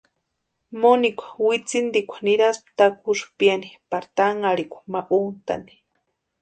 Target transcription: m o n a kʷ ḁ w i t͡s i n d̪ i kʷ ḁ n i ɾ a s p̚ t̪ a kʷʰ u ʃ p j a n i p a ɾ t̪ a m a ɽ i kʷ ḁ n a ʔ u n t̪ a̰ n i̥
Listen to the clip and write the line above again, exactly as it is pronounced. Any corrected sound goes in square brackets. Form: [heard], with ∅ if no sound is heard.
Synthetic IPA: m o n [i] kʷ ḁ w i t͡s i n d̪ i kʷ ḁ n i ɾ a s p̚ t̪ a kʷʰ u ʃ p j a n i p a ɾ t̪ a [ŋ] a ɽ i kʷ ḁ [m] a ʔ u n t̪ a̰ n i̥